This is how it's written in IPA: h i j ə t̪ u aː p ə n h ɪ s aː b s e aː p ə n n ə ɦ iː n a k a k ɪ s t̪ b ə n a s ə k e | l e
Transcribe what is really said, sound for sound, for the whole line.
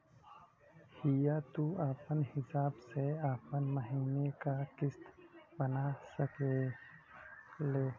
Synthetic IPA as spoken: h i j a t̪ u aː p ə n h ɪ s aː b s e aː p ə n m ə ɦ iː n e k a k ɪ s t̪ b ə n a s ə k e | l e